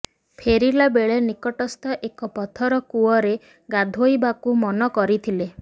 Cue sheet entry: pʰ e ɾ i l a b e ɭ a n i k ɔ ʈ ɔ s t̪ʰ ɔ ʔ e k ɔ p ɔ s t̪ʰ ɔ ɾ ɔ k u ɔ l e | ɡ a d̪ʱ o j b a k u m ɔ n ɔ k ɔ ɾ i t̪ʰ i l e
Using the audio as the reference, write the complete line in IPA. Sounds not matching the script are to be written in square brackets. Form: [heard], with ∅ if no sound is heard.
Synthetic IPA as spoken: pʰ e ɾ i l a b e ɭ [e] n i k ɔ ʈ ɔ s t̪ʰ ɔ ʔ e k ɔ p ɔ [∅] t̪ʰ ɔ ɾ ɔ k u ɔ [ɾ] e | ɡ a d̪ʱ o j b a k u m ɔ n ɔ k ɔ ɾ i t̪ʰ i l e

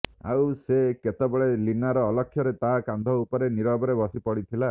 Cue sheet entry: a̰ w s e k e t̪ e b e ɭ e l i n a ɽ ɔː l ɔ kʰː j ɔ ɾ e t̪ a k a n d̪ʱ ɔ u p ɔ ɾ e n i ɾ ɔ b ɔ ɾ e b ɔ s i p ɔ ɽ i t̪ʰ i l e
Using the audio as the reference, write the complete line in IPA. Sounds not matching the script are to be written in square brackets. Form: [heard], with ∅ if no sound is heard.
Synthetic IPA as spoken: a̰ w s e k e t̪ e b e ɭ e l i n a [ɾ] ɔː l ɔ kʰː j ɔ ɾ e t̪ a k a n d̪ʱ ɔ u p ɔ ɾ e n i ɾ ɔ b ɔ ɾ e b ɔ s i p ɔ ɽ i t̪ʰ i l [a]

